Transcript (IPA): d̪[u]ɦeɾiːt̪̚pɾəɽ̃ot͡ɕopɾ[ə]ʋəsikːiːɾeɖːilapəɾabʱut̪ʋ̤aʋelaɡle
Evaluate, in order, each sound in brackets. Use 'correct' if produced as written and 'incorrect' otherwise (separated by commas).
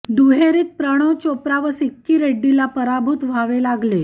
correct, incorrect